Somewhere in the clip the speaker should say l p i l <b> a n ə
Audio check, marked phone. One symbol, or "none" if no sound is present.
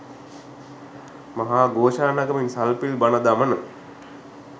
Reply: b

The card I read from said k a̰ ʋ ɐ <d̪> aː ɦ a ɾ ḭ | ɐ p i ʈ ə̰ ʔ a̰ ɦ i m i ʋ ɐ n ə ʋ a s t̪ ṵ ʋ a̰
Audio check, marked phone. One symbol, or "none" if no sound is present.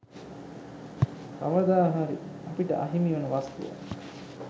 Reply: d̪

